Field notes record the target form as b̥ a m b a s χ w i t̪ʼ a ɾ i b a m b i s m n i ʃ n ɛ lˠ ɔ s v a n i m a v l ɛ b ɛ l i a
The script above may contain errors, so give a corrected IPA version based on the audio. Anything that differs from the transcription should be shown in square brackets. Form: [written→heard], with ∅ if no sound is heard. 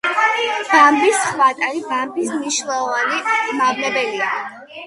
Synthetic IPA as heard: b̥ a m b [a→i] s χ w [i→a] t̪ʼ a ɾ i b a m b i s m n i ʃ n ɛ lˠ ɔ [s→∅] v a n i m a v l ɛ b ɛ l i a